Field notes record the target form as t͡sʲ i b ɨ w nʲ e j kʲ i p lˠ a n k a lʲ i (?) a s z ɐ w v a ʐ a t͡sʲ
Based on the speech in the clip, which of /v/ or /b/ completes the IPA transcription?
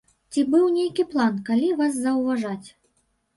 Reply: v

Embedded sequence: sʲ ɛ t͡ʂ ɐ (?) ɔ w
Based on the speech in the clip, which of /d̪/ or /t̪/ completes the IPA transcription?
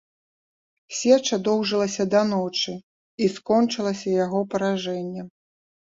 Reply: d̪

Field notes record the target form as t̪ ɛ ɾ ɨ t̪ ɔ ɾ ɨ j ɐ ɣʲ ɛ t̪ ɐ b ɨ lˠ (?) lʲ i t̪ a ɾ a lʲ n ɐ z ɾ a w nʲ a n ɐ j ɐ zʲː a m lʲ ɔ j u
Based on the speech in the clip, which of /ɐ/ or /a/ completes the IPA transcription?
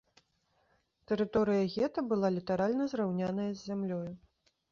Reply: a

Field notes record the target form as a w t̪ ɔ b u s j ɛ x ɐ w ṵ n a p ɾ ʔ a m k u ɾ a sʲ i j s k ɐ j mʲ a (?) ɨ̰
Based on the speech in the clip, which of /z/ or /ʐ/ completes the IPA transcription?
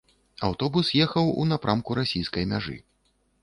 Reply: ʐ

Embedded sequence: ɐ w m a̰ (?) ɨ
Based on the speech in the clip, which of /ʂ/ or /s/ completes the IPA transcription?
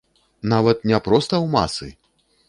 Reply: s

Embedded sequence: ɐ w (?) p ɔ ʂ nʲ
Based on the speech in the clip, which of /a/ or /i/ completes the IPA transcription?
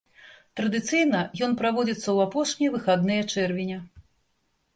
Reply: a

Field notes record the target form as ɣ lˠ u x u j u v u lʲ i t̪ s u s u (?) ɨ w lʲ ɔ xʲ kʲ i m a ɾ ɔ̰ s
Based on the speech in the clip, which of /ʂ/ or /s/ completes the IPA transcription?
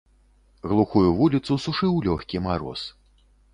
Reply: ʂ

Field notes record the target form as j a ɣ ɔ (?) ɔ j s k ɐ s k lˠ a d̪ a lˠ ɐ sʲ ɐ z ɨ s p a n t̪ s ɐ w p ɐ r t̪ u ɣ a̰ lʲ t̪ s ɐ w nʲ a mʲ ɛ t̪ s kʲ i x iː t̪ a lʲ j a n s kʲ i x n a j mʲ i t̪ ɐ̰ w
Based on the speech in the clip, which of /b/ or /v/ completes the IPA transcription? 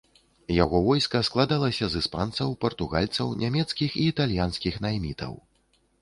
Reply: v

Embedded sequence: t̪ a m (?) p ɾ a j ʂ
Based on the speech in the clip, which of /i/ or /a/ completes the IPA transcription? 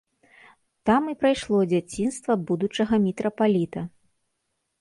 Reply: i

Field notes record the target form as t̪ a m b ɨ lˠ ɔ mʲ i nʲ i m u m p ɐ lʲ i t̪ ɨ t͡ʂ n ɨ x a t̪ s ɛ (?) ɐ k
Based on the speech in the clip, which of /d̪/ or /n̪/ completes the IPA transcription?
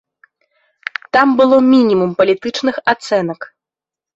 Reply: n̪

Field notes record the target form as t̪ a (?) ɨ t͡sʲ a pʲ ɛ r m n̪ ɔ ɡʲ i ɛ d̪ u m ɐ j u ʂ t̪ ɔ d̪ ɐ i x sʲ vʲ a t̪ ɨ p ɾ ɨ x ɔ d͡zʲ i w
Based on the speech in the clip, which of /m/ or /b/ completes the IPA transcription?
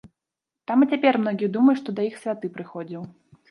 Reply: m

